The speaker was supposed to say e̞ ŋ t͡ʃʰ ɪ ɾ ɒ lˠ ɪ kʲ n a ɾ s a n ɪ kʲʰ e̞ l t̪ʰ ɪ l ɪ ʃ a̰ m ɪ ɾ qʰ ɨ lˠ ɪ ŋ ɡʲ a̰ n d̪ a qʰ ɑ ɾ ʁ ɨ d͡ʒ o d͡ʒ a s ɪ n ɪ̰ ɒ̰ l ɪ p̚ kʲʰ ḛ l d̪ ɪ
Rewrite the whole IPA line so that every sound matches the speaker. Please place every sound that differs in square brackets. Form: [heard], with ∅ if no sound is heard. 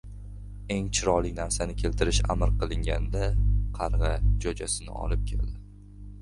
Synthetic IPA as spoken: e̞ ŋ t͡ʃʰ ɪ ɾ ɒ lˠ ɪ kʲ n a ɾ s a n ɪ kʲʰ e̞ l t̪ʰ ɪ [ɾ] ɪ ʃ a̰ m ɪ ɾ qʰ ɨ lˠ ɪ ŋ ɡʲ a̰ n d̪ a qʰ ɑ ɾ ʁ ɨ d͡ʒ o d͡ʒ a s ɪ n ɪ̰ ɒ̰ l ɪ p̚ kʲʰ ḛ l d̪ ɪ